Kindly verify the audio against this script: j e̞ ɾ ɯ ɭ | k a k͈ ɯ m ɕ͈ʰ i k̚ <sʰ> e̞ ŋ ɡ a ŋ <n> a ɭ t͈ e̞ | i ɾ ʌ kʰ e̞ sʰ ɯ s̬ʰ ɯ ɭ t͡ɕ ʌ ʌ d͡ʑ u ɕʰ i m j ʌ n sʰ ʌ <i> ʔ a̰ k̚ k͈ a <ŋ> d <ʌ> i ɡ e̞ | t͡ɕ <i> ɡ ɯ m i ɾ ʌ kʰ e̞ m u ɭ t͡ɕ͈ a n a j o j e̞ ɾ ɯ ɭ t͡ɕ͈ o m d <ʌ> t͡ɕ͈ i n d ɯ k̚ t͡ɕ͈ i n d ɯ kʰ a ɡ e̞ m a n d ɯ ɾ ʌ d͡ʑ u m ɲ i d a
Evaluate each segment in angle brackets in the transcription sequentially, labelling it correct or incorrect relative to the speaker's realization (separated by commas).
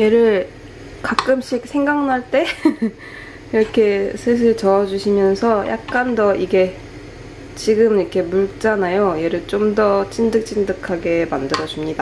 correct, correct, incorrect, incorrect, correct, correct, correct